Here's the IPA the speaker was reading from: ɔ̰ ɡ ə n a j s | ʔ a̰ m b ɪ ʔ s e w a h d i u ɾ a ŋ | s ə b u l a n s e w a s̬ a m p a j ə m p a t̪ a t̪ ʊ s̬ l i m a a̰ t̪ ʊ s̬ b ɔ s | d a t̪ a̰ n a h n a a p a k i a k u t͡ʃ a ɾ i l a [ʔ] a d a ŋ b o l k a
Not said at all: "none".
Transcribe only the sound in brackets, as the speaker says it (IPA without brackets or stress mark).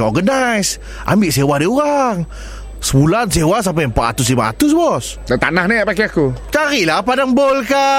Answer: p